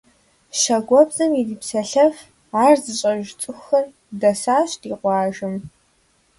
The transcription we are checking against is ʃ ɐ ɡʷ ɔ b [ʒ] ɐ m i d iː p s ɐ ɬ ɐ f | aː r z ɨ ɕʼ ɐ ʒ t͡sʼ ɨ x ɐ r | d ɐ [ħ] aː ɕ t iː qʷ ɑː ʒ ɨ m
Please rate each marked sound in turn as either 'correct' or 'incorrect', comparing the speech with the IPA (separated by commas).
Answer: incorrect, incorrect